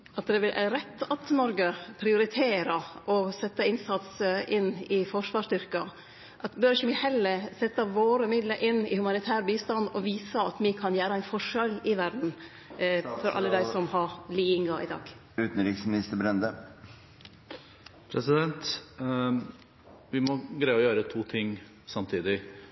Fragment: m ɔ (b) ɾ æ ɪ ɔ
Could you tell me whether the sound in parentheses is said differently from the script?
yes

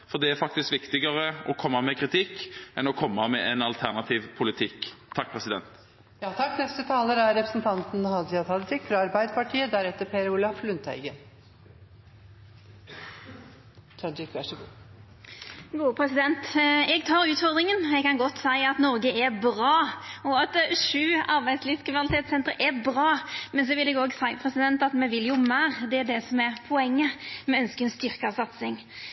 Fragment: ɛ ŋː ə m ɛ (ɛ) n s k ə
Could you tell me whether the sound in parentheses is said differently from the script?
yes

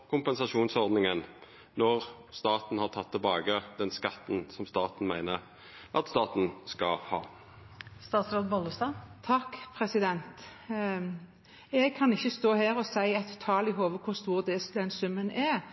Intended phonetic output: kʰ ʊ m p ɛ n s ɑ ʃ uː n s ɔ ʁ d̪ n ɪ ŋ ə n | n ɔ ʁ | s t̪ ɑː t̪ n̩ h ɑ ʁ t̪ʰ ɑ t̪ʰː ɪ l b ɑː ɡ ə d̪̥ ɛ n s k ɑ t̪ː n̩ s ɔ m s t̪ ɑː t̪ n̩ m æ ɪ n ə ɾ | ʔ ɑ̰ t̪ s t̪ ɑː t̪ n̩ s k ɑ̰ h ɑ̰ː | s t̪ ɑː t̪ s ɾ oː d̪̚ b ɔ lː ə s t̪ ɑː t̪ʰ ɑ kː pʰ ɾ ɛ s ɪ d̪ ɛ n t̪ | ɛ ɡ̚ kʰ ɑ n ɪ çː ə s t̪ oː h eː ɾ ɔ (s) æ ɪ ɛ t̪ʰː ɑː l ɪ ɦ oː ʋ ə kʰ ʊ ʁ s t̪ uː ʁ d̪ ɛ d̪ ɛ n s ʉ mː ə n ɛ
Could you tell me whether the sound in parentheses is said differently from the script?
no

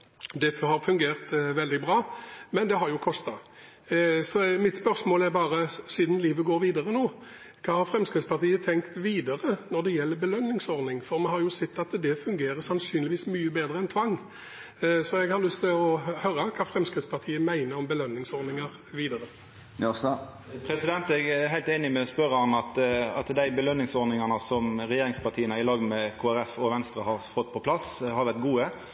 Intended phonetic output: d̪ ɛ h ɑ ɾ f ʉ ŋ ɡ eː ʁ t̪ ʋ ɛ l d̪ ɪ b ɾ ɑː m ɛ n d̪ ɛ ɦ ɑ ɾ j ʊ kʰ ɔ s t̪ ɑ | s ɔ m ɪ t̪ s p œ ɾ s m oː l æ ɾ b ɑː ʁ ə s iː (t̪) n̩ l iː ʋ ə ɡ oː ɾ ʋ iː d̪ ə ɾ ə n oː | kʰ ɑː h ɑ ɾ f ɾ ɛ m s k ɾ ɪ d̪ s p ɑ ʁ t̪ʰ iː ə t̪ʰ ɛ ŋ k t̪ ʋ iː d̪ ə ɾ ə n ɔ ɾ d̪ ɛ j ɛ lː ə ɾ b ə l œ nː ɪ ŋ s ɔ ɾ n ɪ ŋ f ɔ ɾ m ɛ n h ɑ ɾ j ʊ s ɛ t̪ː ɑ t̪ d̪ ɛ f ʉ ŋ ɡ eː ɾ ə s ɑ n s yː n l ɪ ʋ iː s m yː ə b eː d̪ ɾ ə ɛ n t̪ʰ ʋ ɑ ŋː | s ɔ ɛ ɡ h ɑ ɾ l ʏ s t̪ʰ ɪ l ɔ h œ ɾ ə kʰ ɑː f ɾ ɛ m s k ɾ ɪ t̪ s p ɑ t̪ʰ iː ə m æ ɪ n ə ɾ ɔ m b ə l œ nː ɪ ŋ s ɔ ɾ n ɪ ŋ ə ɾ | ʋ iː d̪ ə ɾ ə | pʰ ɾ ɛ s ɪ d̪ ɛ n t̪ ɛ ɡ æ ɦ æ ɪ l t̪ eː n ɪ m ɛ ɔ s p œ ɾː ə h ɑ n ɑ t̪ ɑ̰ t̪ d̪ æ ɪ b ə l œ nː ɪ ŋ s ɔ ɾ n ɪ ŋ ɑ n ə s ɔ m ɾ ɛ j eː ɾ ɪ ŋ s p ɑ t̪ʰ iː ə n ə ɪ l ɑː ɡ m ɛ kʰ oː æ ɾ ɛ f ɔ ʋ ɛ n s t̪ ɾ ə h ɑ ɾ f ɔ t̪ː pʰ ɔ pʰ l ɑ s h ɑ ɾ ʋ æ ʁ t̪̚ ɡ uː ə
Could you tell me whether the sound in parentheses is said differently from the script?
yes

